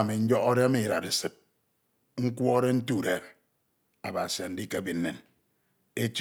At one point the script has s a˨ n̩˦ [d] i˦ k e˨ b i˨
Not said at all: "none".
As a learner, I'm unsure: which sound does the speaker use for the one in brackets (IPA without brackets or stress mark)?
d